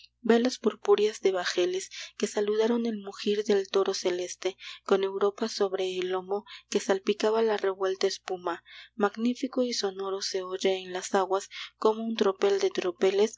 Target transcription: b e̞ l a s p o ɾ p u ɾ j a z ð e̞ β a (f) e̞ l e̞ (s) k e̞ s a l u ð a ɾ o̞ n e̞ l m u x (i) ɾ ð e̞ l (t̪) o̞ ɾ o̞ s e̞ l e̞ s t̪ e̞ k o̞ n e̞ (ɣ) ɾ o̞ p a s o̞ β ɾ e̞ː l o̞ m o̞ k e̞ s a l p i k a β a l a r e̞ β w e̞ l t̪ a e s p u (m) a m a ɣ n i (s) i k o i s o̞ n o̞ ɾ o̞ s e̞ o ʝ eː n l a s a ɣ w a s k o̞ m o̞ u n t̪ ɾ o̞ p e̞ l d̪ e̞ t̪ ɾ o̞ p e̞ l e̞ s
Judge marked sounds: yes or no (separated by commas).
no, yes, yes, yes, no, yes, no